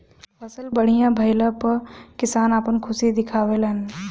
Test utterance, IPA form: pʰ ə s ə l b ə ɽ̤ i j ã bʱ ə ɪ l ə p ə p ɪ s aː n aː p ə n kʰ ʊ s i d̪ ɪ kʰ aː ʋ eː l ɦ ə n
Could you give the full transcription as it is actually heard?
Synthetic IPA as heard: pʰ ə s ə l b ə ɽ̤ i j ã bʱ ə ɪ l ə p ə k ɪ s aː n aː p ə n kʰ ʊ s i d̪ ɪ kʰ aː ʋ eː l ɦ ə n